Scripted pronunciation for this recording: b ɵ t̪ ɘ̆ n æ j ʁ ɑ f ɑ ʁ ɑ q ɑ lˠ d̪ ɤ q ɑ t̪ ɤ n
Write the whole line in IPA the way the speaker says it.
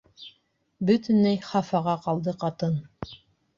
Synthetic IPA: b ɵ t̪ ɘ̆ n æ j χ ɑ f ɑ ʁ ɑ q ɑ lˠ d̪ ɤ q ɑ t̪ ɤ n

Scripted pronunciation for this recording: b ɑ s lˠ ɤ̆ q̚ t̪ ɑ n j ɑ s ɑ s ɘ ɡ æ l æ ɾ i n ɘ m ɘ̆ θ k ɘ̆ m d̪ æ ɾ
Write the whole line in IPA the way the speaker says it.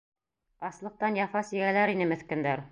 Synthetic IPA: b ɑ s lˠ ɤ̆ q̚ t̪ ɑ n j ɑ f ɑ s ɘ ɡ æ l æ ɾ i n ɘ m ɘ̆ θ k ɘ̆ n d̪ æ ɾ

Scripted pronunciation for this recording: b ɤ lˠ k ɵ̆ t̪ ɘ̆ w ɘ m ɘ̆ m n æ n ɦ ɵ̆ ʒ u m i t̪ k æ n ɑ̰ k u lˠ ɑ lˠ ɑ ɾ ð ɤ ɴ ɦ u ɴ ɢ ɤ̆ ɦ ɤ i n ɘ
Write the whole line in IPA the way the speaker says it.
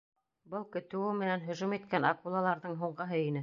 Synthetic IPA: b ɤ lˠ k ɵ̆ t̪ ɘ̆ w ɘ m ɘ̆ n æ n ɦ ɵ̆ ʒ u m i t̪ k æ n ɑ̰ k u lˠ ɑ lˠ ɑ ɾ ð ɤ ɴ ɦ u ɴ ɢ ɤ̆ ɦ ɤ i n ɘ

